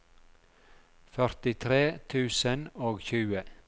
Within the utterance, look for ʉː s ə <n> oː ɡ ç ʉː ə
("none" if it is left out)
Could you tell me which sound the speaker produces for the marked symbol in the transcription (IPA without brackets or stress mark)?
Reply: n